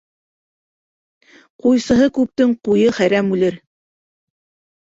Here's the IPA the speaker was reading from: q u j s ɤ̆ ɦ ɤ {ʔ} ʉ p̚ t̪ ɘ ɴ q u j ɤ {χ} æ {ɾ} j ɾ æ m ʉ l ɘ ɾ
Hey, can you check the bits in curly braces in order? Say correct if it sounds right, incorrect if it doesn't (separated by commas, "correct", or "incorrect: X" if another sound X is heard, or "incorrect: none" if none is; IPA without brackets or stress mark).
incorrect: k, correct, incorrect: none